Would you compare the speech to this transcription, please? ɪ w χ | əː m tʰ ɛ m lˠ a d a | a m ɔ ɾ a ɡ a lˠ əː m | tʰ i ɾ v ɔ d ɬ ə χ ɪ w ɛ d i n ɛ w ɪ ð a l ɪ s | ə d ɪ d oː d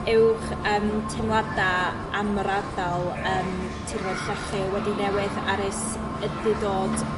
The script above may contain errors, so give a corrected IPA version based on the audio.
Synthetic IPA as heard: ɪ w χ | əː m tʰ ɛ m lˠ a d a | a m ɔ ɾ a d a lˠ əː m | tʰ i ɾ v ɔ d ɬ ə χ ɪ w ɛ d i n ɛ w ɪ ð a ɾ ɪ s | ə d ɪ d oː d